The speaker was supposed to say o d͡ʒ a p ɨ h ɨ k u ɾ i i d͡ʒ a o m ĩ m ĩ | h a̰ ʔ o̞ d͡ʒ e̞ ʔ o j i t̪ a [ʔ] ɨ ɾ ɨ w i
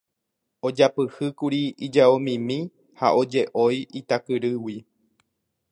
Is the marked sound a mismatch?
yes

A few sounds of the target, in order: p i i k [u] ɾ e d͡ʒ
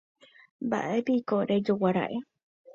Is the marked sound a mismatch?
yes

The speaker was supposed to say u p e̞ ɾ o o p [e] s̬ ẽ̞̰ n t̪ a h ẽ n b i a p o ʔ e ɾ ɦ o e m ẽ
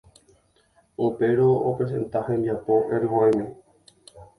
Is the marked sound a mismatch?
no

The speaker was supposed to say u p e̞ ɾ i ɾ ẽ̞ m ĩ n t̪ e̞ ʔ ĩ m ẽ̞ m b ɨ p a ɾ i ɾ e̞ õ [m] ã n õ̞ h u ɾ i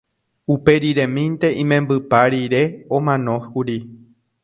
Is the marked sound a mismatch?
no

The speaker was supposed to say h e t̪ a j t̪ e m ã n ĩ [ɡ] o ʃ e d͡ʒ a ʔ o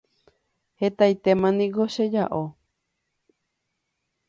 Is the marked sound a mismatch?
no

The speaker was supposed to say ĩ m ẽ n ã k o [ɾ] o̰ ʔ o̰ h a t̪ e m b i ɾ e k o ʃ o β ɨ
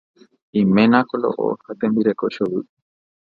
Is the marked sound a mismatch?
yes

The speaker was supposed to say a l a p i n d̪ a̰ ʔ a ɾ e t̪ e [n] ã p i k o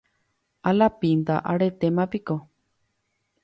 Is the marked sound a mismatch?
yes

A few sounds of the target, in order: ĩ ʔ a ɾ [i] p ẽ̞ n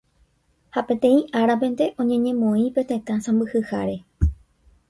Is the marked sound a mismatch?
yes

